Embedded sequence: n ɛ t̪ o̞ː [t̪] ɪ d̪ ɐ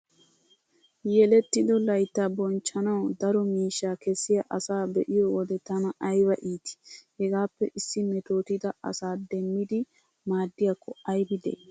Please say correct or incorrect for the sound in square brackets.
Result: correct